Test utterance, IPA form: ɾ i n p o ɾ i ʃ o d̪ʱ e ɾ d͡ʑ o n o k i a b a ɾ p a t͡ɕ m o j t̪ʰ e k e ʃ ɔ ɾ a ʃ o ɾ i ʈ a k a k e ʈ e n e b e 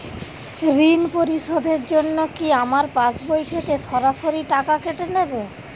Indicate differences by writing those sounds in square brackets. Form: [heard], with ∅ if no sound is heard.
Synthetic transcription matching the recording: ɾ i n p o ɾ i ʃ o d̪ʱ e ɾ d͡ʑ o [nː] o k i a [m] a ɾ p a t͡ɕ [b] o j t̪ʰ e k e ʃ ɔ ɾ a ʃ o ɾ i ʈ a k a k e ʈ e n e b e